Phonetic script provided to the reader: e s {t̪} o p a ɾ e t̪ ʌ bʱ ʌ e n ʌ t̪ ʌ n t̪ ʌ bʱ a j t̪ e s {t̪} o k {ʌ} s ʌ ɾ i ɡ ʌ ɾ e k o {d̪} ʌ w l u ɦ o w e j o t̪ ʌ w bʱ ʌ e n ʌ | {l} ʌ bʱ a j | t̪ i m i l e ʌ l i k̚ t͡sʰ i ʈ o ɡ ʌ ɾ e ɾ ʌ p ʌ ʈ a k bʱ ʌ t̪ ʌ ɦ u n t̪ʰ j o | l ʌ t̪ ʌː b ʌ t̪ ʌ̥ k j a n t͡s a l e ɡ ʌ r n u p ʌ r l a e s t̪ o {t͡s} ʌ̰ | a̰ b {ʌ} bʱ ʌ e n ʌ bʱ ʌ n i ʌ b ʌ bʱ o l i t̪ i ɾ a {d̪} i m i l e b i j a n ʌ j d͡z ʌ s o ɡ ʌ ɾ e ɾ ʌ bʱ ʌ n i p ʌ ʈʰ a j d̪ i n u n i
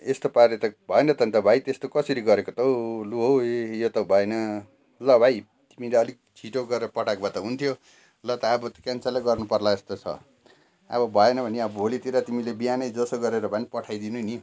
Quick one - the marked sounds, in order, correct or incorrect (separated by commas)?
correct, correct, correct, incorrect, correct, incorrect, correct, incorrect